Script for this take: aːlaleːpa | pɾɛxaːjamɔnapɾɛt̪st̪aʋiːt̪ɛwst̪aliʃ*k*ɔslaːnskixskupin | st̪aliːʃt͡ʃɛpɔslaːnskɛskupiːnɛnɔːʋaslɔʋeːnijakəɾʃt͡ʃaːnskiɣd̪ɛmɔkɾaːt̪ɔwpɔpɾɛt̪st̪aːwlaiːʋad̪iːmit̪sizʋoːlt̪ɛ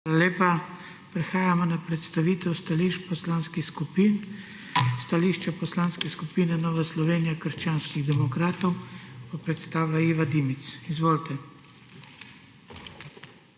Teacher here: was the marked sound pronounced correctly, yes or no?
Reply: no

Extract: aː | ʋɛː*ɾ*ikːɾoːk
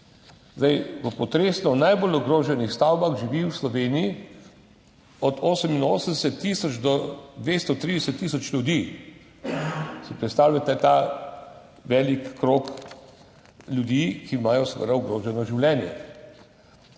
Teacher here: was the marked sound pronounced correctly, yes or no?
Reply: no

